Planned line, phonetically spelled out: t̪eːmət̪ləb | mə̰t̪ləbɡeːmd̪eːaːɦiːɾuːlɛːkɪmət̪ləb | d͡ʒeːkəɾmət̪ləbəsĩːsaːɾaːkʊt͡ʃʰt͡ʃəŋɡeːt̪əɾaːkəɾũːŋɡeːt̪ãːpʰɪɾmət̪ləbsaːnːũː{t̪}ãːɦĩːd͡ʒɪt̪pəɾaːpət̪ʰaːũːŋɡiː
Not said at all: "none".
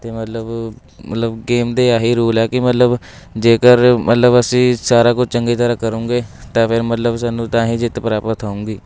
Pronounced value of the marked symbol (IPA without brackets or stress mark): t̪